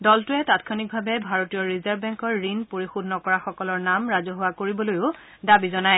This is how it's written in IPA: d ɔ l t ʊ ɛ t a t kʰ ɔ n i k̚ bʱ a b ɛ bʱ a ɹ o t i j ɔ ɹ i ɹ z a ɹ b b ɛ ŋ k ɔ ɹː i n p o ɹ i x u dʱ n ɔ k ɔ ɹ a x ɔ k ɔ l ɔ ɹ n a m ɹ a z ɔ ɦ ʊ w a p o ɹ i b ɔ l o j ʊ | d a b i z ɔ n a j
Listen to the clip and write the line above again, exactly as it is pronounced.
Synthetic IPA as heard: d ɔ l t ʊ ɛ t a t kʰ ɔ n i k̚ bʱ a b ɛ bʱ a ɹ o t i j ɔ ɹ i z a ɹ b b ɛ ŋ k ɔ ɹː i n p o ɹ i x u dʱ n ɔ k ɔ ɹ a x ɔ k ɔ l ɔ ɹ n a m ɹ a z ɔ ɦ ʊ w a k o ɹ i b ɔ l o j ʊ | d a b i z ɔ n a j